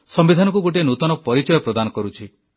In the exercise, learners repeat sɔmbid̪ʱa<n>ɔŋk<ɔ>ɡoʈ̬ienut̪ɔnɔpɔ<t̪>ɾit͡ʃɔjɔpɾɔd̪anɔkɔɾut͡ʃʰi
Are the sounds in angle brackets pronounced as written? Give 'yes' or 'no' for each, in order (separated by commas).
yes, no, no